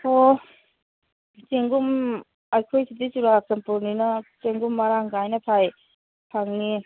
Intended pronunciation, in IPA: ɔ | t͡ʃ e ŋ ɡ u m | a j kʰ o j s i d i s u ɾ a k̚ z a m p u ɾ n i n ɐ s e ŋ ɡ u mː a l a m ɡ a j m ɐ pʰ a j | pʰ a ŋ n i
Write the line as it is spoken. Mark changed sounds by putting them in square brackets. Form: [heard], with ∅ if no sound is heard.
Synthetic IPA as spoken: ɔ | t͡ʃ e ŋ ɡ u m | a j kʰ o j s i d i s u ɾ a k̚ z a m p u ɾ n i n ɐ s e ŋ ɡ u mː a [ɾ] a [ŋ] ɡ a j [n] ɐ pʰ a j | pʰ a ŋ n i

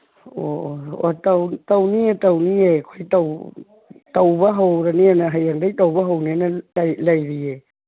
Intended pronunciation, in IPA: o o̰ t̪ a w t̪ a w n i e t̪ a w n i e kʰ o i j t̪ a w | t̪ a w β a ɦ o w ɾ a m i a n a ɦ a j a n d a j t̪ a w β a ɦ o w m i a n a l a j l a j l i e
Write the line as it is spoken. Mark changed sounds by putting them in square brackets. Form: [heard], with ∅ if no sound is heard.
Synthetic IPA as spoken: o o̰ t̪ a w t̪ a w n i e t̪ a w n i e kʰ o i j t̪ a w | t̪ a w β a ɦ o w ɾ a [n] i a n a ɦ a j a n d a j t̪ a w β a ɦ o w [n] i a n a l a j l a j [ɾ] i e

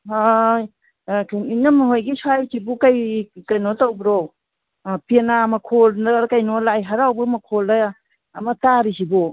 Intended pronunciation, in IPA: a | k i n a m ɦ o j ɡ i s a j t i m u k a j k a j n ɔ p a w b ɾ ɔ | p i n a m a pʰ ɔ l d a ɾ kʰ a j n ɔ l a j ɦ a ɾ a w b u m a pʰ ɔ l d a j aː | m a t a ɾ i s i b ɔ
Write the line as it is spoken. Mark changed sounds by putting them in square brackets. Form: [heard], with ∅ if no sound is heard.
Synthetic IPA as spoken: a | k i n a m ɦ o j ɡ i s a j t i [b] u k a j k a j n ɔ [t] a w b ɾ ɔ | p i n a m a [kʰ] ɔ l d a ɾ [k] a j n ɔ l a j ɦ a ɾ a w b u m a [kʰ] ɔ l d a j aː | m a t a ɾ i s i b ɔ

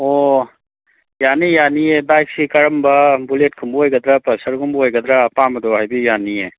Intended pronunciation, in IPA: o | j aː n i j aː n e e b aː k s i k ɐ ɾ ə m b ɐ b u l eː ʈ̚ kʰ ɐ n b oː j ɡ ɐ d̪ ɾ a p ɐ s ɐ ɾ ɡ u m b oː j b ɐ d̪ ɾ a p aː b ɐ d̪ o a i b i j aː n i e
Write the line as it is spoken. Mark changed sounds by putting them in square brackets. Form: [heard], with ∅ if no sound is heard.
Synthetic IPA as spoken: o | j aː n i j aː n [i] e b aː k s i k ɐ ɾ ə m b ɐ b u l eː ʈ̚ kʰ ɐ [m] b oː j ɡ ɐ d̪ ɾ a p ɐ s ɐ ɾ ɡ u m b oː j [ɡ] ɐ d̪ ɾ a p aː [m] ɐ d̪ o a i b i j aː n i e

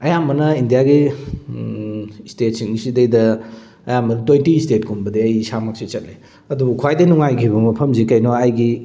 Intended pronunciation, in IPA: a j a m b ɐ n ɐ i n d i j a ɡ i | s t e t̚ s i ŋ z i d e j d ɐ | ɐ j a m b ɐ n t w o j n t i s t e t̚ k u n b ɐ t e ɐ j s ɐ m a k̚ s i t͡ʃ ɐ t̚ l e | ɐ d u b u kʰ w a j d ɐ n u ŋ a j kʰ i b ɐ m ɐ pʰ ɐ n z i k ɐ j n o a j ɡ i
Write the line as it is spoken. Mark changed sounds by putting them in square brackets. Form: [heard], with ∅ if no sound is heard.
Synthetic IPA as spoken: [ɐ] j a m b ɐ n ɐ i n d i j a ɡ i | s t e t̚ s i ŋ [s] i d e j d ɐ | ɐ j a m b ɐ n t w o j n t i s t e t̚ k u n b ɐ [d] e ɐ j s [a] m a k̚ s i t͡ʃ ɐ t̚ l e | ɐ d u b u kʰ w a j d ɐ n u ŋ a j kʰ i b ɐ m ɐ pʰ ɐ [m] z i k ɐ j n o a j ɡ i

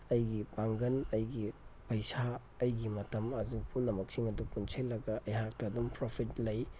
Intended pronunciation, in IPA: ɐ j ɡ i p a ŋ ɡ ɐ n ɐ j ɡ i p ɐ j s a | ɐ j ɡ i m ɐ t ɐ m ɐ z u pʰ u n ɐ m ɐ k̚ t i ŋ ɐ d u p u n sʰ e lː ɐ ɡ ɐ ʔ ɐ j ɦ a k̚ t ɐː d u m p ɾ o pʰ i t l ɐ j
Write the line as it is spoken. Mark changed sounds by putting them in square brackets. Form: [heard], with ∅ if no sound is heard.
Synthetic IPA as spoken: ɐ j ɡ i p a ŋ ɡ ɐ n ɐ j ɡ i p ɐ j s a | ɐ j ɡ i m ɐ t ɐ m ɐ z u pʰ u n ɐ m ɐ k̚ [s] i ŋ ɐ d u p u n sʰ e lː ɐ ɡ ɐ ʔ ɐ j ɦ a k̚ t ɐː d u m p ɾ o pʰ i t l ɐ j

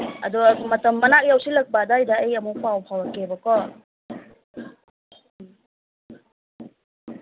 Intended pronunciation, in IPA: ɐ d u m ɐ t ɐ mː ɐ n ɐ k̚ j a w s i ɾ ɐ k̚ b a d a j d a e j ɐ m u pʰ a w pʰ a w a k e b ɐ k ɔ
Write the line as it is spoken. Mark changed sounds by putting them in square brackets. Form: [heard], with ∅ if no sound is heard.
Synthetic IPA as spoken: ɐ d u m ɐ t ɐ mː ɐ n [a] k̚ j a w s i [l] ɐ k̚ b a d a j d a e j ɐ m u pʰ a w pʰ a w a k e b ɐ k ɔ

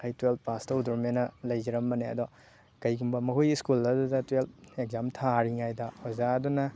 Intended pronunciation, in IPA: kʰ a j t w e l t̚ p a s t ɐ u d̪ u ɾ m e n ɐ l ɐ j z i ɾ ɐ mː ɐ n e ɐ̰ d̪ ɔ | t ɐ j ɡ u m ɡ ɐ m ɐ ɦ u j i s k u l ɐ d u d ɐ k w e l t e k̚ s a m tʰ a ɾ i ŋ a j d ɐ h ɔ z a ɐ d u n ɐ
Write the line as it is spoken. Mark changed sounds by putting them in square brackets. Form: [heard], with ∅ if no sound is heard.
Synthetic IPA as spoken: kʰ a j t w e l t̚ p a s t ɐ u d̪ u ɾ m e n ɐ l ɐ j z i ɾ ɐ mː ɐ n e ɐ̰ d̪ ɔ | [k] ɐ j ɡ u m [b] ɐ m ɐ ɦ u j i s k u l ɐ d u d ɐ [t] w e l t e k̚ [z] a m tʰ a ɾ i ŋ a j d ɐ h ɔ z a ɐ d u n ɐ

